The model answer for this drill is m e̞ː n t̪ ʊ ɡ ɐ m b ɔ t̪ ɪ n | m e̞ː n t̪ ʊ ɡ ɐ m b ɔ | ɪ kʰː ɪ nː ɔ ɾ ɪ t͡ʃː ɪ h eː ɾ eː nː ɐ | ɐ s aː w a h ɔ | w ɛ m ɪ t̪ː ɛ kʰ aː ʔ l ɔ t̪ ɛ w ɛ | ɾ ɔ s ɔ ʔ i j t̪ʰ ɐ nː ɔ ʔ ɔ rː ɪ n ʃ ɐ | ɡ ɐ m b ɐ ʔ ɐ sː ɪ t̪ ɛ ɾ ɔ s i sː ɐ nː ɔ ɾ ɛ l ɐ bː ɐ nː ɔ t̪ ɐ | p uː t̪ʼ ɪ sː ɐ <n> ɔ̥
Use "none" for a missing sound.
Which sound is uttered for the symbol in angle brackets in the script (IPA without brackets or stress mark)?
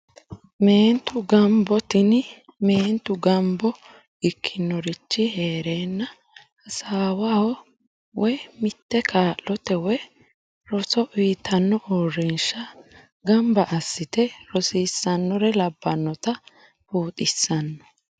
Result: nː